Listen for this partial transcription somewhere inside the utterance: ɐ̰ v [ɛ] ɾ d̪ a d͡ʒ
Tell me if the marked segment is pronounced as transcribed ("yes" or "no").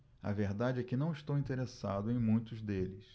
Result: no